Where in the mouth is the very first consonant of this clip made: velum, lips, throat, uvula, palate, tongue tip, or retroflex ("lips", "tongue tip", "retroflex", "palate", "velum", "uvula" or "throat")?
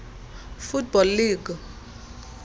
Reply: lips